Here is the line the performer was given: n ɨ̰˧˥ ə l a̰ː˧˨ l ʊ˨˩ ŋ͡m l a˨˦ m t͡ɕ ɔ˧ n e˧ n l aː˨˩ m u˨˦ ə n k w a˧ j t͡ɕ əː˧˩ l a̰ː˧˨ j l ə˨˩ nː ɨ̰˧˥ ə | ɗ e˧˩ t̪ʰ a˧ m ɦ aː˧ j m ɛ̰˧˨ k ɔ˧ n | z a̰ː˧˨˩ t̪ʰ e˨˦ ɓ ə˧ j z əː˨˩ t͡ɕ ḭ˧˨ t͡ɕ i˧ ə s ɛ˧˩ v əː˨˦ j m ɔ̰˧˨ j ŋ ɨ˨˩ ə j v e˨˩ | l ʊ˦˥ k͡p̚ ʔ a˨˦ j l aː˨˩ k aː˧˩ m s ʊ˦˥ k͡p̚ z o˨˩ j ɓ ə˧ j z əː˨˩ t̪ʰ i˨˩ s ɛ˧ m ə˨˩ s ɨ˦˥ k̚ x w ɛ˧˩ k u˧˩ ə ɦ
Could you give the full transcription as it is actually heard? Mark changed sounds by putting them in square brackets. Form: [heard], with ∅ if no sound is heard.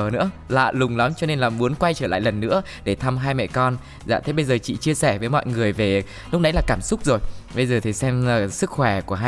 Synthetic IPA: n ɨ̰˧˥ ə l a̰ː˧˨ l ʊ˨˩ ŋ͡m l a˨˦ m t͡ɕ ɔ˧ n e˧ n l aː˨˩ m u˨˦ ə n k w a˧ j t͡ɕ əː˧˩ l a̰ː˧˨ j l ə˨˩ nː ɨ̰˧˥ ə | ɗ e˧˩ t̪ʰ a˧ m ɦ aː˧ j m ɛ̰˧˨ k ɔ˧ n | z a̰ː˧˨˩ t̪ʰ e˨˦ ɓ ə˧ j z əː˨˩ t͡ɕ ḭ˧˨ t͡ɕ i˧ ə s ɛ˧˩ v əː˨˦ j m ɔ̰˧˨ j ŋ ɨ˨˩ ə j v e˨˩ | l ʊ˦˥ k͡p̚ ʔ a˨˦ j l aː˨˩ k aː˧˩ m s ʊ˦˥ k͡p̚ z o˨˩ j ɓ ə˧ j z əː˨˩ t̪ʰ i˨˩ s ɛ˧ m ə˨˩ s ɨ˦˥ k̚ x w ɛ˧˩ k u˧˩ ə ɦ